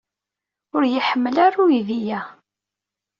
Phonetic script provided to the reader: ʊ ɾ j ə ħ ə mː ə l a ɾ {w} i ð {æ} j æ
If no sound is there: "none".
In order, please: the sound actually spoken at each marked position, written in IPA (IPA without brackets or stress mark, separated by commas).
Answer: u, i